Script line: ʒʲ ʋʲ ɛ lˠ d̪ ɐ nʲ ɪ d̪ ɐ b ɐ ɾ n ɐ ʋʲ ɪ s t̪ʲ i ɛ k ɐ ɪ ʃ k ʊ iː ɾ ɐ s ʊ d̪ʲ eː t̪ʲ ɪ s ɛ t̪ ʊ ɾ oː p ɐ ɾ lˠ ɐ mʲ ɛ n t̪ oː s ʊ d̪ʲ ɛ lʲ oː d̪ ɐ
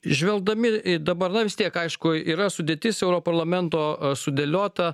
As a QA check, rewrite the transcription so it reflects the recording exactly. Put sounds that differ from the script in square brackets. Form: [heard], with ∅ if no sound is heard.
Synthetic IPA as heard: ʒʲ ʋʲ ɛ lˠ d̪ ɐ [mʲ] ɪ d̪ ɐ b ɐ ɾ n ɐ ʋʲ ɪ s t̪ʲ i ɛ k ɐ ɪ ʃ k ʊ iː ɾ ɐ s ʊ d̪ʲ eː t̪ʲ ɪ s ɛ [∅] ʊ ɾ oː p ɐ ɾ lˠ ɐ mʲ ɛ n t̪ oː s ʊ d̪ʲ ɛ lʲ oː [t̪] ɐ